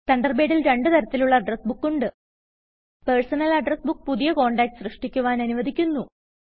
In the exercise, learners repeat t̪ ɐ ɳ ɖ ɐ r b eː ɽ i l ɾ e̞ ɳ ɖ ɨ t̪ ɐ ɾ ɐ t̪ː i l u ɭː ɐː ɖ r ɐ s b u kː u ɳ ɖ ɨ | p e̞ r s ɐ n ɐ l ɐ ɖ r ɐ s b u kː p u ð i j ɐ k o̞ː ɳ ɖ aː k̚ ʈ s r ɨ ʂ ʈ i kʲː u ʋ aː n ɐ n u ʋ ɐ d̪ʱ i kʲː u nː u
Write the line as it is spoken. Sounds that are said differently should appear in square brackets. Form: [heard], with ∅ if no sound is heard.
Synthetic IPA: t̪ ɐ ɳ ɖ ɐ r b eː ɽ i l ɾ e̞ ɳ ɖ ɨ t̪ ɐ ɾ ɐ t̪ː i l u ɭː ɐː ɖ r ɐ s b u kː u ɳ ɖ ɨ | p e̞ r s ɐ n ɐ l ɐ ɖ r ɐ s b u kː p u ð i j ɐ k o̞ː ɳ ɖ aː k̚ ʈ s r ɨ ʂ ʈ i kʲː u ʋ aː n ɐ n u ʋ ɐ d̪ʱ i kʲː u nː u